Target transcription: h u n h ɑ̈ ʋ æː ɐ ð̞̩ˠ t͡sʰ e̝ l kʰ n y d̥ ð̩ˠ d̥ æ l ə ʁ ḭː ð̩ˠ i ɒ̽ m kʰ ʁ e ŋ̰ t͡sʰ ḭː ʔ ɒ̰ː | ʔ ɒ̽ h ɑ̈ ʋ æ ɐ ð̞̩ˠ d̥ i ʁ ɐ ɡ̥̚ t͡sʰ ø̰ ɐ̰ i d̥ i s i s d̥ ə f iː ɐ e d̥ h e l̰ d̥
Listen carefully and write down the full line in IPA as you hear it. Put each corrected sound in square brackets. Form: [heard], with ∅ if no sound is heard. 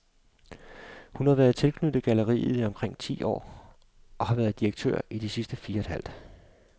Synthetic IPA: h u n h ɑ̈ ʋ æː ɐ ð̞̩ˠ t͡sʰ e̝ l kʰ n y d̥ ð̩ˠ [ɡ̥] æ l ə ʁ ḭː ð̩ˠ i ɒ̽ m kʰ ʁ e ŋ̰ t͡sʰ ḭː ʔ ɒ̰ː | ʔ ɒ̽ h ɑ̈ ʋ æ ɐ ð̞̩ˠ d̥ i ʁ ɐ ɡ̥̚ t͡sʰ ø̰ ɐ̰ i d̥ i s i s d̥ ə f iː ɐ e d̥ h [æ] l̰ d̥